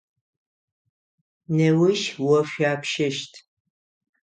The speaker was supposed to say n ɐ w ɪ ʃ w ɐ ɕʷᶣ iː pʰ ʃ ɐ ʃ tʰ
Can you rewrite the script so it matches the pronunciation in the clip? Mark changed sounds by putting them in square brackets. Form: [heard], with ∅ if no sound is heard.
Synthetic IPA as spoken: n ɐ w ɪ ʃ w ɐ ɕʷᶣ [aː] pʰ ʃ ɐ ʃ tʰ